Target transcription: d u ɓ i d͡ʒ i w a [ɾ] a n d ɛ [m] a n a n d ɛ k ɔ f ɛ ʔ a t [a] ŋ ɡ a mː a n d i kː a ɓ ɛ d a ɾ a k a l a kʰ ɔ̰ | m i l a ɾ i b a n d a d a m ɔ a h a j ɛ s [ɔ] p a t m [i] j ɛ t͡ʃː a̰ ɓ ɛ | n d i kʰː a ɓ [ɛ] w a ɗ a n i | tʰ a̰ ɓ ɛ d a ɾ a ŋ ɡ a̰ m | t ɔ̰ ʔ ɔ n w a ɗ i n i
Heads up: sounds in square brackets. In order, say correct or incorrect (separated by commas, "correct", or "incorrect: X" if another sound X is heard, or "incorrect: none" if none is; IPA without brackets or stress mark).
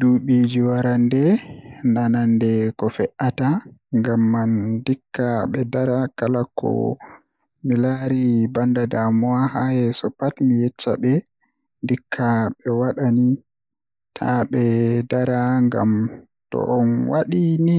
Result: correct, incorrect: n, correct, correct, correct, correct